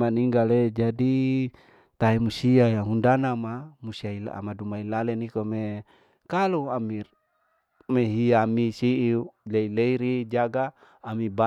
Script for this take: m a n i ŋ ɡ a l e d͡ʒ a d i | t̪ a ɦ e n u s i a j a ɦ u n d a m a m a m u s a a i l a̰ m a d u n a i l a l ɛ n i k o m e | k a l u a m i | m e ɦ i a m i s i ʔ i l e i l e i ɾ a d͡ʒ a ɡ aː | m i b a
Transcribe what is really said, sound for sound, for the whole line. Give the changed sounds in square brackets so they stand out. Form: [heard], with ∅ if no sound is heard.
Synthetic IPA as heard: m a n i ŋ ɡ a l e d͡ʒ a d i | t̪ a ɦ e [m] u s i a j a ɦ u n d a [n] a m a m u s [i] a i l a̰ m a d u [m] a i l a l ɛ n i k o m e | k a l u a m i | m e ɦ i a m i s i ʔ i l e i l e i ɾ [i] d͡ʒ a ɡ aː | m i b a

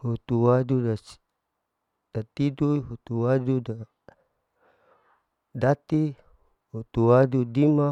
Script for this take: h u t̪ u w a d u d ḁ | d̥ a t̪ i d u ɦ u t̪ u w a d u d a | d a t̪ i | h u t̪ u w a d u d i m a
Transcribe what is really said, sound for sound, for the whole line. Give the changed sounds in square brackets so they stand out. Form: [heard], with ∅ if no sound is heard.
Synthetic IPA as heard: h u t̪ u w a d u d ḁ | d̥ a t̪ i d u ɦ u t̪ u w a d u d a | d a t̪ i | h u t̪ u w a d u d i m a

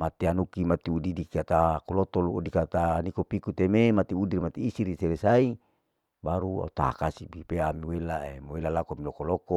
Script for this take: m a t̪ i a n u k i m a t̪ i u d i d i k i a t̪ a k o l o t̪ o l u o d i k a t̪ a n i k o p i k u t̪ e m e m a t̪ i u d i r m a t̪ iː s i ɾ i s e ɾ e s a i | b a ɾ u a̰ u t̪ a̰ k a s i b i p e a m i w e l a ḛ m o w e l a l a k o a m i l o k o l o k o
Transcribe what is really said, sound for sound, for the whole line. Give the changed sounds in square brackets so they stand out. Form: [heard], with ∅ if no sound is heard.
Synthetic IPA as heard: m a t̪ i a n u k i m a t̪ i u d i d i k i a t̪ a k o l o t̪ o l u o d i k a t̪ a n i k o p i k u t̪ e m e m a t̪ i u d i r m a t̪ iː s i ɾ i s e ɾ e s a i | b a ɾ u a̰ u t̪ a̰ k a s i b i p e a m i w e l a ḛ m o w e l a l a k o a m i l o k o l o k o

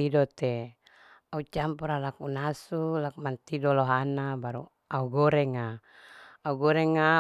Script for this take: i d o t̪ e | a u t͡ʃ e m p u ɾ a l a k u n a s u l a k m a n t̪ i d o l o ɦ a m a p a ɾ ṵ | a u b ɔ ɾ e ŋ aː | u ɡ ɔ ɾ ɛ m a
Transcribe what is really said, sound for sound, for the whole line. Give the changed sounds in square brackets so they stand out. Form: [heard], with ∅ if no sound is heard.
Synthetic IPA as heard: i d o t̪ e | a u t͡ʃ [a] m p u ɾ a l a k u n a s u l a k m a n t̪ i d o l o ɦ a [n] a [b] a ɾ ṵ | a u [ɡ] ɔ ɾ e ŋ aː | u ɡ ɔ ɾ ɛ [ŋ] a

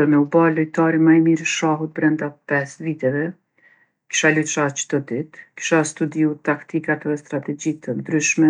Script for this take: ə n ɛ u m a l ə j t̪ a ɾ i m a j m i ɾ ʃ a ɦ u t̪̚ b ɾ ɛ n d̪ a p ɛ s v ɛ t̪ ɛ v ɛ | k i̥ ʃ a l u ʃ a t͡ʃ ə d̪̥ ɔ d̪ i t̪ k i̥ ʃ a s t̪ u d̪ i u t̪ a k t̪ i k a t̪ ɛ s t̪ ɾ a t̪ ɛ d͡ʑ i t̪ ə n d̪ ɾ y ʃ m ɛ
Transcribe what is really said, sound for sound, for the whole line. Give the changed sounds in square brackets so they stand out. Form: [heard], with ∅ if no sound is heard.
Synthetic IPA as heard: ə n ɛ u [b] a l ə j t̪ a ɾ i m a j m i ɾ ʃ a ɦ u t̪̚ b ɾ ɛ n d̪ a p ɛ s v [i] t̪ ɛ v ɛ | k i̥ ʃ a l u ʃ a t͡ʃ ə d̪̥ ɔ d̪ i t̪ k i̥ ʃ a s t̪ u d̪ i u t̪ a k t̪ i k a t̪ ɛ s t̪ ɾ a t̪ ɛ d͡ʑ i t̪ ə n d̪ ɾ y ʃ m ɛ

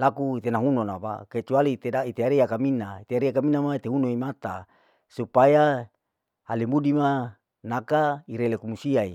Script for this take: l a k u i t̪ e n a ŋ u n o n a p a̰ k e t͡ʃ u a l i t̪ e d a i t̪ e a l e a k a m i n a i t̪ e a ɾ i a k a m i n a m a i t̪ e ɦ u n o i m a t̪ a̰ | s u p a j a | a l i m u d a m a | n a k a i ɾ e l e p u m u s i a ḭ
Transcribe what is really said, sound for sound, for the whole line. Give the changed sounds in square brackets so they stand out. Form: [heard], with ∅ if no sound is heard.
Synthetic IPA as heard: l a k u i t̪ e n a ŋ u n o n a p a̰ k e t͡ʃ u a l i t̪ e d a i t̪ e a [ɾ] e a k a m i n a i t̪ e a ɾ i a k a m i n a m a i t̪ e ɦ u n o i m a t̪ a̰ | s u p a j a | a l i m u d [i] m a | n a k a i ɾ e l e [k] u m u s i a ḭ

